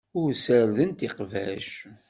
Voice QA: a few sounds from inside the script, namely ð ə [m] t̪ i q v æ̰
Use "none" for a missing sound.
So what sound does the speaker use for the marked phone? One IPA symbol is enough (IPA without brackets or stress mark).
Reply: n